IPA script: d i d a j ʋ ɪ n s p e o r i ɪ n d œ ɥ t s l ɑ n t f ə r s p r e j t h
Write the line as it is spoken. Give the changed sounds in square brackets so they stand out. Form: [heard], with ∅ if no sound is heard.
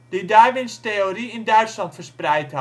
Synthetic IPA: d i d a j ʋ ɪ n s [t] e o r i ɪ n d œ ɥ t s l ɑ n t f ə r s p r [ɛ] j t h